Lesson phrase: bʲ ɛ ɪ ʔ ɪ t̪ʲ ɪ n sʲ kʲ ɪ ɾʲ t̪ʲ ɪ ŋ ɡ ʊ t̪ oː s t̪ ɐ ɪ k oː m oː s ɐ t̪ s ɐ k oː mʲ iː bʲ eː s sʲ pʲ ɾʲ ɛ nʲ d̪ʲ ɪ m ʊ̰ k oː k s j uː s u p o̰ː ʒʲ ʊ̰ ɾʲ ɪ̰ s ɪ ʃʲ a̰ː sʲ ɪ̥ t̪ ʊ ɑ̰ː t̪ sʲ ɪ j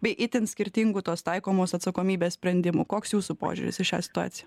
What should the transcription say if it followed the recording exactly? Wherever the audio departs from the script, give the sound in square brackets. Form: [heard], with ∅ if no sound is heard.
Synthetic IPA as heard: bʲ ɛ ɪ ʔ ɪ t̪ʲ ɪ n sʲ kʲ ɪ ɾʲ t̪ʲ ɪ ŋ ɡ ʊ t̪ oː s t̪ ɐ ɪ k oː m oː s ɐ t̪ s ɐ k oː mʲ iː bʲ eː s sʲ pʲ ɾʲ ɛ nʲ d̪ʲ ɪ m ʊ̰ k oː k s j uː s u p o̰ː ʒʲ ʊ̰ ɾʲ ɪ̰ s ɪ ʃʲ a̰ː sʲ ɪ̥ t̪ ʊ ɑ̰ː t̪ sʲ ɪ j